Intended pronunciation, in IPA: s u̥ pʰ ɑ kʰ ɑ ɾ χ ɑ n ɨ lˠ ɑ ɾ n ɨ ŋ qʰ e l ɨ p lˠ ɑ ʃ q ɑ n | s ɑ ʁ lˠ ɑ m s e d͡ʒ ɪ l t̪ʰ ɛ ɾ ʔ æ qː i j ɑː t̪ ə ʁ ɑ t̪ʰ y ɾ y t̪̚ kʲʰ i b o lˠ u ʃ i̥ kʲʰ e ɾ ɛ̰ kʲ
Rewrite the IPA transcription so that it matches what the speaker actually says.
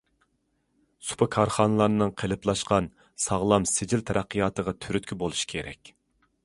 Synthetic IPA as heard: s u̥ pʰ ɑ kʰ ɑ ɾ χ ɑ n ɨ lˠ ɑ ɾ n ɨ ŋ qʰ e l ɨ p lˠ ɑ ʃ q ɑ n | s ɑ ʁ lˠ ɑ m s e d͡ʒ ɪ l t̪ʰ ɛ ɾ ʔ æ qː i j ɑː t̪ ə ʁ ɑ t̪ʰ y ɾ y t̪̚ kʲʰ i b o lˠ u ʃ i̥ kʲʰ e ɾ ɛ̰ kʲ